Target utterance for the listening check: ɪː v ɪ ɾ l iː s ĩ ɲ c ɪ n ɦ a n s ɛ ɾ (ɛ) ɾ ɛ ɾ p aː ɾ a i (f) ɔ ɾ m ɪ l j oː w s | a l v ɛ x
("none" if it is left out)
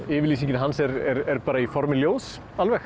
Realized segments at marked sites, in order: ɛ, f

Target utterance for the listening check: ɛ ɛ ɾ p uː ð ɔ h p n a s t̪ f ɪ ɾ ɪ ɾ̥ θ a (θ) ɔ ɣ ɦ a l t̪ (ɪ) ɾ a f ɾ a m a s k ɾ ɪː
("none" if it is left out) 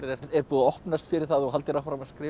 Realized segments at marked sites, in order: ð, ɪ

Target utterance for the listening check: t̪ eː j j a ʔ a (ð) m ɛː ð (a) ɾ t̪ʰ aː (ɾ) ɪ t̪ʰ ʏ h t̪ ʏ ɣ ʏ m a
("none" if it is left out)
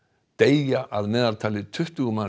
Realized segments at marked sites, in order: ð, a, l

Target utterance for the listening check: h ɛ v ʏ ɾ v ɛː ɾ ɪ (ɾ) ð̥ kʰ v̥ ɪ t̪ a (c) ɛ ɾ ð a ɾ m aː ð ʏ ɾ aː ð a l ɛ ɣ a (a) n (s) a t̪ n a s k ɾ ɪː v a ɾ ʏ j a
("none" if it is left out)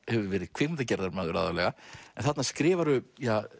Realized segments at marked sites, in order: none, c, ɛ, θ

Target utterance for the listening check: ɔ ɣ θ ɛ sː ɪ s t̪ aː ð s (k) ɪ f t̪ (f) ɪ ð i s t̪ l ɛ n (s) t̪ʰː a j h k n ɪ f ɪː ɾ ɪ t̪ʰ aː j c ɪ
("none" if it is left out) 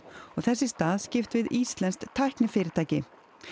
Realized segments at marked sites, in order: c, v, s

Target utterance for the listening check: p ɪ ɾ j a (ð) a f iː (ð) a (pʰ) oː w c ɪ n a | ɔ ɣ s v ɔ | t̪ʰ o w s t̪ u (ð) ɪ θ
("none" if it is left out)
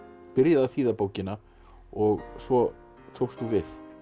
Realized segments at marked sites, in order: ð, ð, p, v

